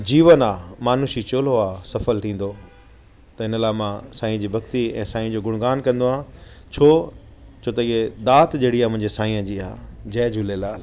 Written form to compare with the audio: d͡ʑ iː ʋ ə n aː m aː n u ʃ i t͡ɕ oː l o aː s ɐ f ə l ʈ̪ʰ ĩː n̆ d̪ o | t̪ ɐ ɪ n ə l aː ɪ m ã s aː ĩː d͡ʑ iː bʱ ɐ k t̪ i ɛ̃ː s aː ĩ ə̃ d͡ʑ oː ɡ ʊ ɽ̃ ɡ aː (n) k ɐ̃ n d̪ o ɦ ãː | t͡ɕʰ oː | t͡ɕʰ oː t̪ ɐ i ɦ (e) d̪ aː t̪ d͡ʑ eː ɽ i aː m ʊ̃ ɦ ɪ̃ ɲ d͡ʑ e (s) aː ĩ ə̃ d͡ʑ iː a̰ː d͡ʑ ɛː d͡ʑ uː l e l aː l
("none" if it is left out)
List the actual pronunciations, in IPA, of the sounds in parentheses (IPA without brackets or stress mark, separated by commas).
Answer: n, e, s